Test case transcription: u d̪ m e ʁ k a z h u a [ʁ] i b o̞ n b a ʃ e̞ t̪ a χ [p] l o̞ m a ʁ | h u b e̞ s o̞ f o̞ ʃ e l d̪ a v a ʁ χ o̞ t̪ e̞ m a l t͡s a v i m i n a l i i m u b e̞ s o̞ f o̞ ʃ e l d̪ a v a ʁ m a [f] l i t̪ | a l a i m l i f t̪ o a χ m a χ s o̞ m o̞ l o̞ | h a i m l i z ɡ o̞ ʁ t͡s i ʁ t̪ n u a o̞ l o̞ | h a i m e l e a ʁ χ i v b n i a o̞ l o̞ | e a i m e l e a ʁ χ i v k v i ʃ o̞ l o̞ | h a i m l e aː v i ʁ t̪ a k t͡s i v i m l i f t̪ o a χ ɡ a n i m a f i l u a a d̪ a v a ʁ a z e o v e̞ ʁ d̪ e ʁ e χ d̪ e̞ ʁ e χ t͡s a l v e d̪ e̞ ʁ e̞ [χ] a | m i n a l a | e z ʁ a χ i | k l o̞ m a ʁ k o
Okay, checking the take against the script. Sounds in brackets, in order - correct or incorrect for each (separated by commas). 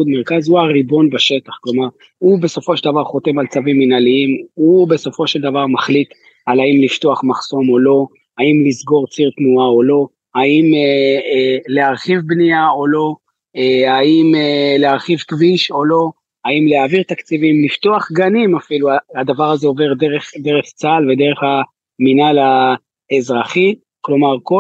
correct, incorrect, incorrect, correct